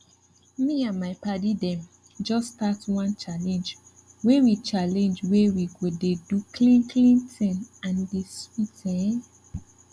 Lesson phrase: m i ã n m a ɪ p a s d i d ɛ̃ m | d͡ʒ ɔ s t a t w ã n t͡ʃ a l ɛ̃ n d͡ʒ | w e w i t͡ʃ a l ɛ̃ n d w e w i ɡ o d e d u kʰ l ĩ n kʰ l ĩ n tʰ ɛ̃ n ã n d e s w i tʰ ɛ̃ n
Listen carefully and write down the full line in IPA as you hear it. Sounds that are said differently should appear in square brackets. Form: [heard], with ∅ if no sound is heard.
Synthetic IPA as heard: m i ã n m a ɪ p a [∅] d i d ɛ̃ m | d͡ʒ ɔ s t a t w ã n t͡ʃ a l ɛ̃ n d͡ʒ | w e w i t͡ʃ a l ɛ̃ n [d͡ʒ] w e w i ɡ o d e d u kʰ l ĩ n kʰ l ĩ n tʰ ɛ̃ n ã n d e s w i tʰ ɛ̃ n